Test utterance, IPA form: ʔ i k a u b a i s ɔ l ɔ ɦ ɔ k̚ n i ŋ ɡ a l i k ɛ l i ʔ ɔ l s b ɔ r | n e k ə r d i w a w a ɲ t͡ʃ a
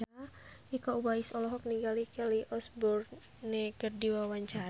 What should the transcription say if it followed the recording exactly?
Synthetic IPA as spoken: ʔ i k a u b a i s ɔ l ɔ ɦ ɔ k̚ n i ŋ ɡ a l i k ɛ l i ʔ ɔ s b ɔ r | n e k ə r d i w a w a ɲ t͡ʃ a